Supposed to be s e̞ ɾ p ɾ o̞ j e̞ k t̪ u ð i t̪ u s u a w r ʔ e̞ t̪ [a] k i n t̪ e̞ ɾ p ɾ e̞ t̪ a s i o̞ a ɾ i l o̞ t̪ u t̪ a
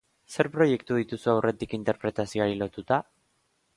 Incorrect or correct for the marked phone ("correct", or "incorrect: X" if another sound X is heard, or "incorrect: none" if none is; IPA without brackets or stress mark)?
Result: incorrect: i